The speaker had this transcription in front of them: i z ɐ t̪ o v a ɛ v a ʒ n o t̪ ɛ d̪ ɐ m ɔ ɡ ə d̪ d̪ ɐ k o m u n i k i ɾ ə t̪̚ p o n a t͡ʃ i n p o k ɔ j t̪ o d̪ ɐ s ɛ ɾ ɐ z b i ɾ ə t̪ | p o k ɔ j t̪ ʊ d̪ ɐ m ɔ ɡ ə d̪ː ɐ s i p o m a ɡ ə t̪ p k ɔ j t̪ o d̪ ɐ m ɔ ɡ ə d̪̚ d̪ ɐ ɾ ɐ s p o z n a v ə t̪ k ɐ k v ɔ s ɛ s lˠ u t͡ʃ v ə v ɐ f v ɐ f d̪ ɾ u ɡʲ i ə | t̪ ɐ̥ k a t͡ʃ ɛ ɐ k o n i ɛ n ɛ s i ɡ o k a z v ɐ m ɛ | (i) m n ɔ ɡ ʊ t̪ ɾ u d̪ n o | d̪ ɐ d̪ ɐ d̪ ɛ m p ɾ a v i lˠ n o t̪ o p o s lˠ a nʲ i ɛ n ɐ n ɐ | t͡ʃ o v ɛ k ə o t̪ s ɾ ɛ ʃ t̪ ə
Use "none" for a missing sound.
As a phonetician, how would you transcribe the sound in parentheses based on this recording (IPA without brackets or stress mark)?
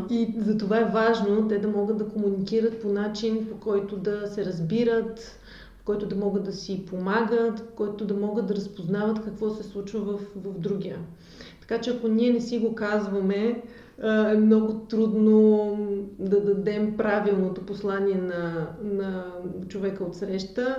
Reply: ɛ